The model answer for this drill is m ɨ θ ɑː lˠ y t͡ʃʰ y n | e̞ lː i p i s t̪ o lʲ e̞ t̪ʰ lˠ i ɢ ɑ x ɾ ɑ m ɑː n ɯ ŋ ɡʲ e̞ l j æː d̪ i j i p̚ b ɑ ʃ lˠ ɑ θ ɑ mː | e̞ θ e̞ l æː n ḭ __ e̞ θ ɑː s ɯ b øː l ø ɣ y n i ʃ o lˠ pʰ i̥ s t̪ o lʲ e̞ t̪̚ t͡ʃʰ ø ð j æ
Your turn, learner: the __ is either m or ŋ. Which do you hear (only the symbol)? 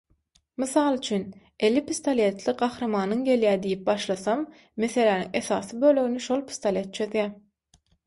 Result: ŋ